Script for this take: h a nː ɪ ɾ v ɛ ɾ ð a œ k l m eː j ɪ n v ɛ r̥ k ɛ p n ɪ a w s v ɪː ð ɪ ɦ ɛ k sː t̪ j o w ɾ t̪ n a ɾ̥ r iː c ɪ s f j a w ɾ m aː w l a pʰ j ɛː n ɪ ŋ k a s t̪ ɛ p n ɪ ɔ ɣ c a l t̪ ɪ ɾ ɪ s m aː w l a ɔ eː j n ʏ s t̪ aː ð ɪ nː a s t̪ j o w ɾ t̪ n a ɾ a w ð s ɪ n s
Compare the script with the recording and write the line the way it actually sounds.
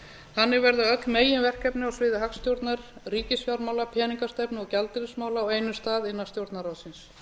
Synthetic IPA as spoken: h a nː ɪ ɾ v ɛ ɾ ð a œ k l m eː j ɪ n v ɛ r̥ k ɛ p n ɪ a w s v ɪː ð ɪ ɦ a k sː t̪ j o w ɾ t̪ n a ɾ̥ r iː c ɪ s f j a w ɾ m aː w l a pʰ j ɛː n i ŋ k a s t̪ ɛ p n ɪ ɔ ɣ c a l t̪ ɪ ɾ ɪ s m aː w l a ɔ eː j n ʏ s t̪ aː ð ɪ nː a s t̪ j o w ɾ t̪ n a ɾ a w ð s ɪ n s